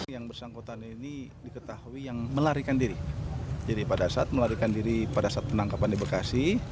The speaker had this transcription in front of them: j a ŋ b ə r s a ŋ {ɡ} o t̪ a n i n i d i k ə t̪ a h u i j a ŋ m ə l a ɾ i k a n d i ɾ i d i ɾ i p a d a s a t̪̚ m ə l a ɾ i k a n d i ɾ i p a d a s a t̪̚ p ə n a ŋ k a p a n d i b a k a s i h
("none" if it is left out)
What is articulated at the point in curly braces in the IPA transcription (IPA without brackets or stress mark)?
k